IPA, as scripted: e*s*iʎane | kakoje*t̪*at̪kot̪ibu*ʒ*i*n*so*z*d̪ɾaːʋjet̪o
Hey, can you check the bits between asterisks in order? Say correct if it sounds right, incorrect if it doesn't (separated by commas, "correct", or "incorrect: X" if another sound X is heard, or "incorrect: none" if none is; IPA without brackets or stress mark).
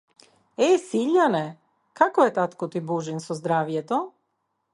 correct, correct, correct, correct, correct